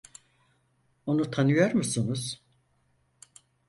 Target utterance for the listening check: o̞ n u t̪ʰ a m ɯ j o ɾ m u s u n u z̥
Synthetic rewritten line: o̞ n u t̪ʰ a n ɯ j o ɾ m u s u n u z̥